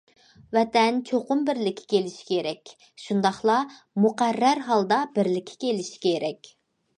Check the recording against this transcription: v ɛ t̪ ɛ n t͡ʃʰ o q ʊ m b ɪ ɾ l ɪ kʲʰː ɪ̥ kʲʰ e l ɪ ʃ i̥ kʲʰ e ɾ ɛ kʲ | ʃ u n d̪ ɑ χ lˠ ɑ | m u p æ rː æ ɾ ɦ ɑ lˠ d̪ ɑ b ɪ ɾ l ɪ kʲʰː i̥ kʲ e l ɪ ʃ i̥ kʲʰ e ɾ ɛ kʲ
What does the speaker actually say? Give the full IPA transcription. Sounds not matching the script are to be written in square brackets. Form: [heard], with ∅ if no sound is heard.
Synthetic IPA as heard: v ɛ t̪ ɛ n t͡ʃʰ o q ʊ m b ɪ ɾ l ɪ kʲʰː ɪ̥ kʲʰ e l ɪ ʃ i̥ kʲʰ e ɾ ɛ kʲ | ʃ u n d̪ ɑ χ lˠ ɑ | m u [q] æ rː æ ɾ ɦ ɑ lˠ d̪ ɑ b ɪ ɾ l ɪ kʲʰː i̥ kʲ e l ɪ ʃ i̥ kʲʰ e ɾ ɛ kʲ